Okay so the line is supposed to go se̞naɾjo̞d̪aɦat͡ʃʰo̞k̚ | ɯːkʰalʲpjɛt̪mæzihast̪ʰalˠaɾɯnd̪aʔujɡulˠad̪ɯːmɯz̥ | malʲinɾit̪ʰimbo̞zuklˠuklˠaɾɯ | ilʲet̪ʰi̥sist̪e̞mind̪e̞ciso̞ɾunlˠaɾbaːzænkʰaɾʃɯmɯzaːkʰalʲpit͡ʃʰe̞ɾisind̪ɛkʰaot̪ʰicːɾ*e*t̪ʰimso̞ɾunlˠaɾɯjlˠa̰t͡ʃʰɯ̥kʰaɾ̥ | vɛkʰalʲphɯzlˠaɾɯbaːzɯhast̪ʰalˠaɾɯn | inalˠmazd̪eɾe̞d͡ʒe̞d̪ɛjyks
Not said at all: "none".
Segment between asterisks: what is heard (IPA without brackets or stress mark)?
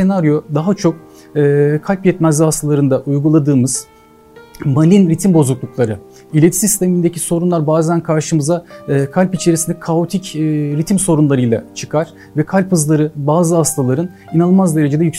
i